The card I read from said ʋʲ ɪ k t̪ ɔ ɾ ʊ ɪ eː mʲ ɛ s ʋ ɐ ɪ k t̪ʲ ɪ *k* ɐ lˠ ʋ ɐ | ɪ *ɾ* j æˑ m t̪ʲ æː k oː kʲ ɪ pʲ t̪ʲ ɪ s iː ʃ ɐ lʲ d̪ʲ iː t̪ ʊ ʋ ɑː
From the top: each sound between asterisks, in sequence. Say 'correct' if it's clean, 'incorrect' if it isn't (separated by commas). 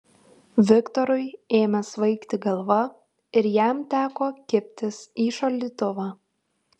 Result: incorrect, correct